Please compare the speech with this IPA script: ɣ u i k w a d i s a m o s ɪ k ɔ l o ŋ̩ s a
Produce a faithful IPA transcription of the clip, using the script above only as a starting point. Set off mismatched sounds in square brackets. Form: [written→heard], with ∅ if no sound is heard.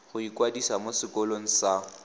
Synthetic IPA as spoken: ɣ [u→ʊ] i k w a d i s a m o s ɪ k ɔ l o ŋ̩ s a